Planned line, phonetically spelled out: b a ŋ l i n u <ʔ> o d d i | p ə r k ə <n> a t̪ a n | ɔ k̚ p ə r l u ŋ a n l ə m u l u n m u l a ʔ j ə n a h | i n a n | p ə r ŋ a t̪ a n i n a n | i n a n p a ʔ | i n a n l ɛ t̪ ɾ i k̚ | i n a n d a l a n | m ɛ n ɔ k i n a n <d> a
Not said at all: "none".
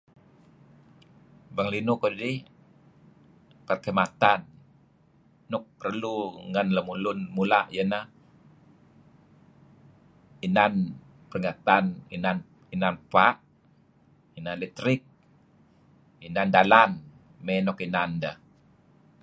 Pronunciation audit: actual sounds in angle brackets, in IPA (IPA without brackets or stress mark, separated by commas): k, m, d